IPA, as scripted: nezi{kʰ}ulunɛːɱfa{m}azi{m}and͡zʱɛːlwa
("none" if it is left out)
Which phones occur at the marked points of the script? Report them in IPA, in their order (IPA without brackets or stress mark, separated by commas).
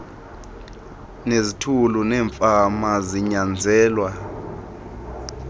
tʰ, m, ɲ